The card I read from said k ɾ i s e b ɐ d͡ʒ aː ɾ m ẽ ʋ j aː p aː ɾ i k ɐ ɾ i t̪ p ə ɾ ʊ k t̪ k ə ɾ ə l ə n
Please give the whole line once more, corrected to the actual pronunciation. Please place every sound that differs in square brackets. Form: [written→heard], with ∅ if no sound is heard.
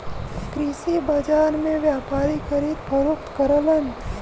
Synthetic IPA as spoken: k ɾ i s [e→i] b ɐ d͡ʒ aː ɾ m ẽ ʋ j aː p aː ɾ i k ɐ ɾ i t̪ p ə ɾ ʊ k t̪ k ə ɾ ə l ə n